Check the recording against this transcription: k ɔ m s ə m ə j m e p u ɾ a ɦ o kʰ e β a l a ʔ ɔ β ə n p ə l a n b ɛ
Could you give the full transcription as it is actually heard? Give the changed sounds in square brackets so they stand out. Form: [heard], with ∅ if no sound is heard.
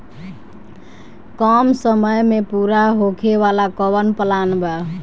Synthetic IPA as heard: k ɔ m s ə m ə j m e p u ɾ a ɦ o kʰ e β a l a [k] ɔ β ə n p ə l a n b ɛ